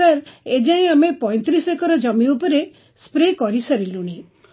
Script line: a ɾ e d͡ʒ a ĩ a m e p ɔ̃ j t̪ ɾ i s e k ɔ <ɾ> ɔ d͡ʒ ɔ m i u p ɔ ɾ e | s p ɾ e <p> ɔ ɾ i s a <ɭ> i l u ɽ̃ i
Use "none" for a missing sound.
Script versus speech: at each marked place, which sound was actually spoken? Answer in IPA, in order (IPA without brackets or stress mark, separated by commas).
ɾ, k, ɾ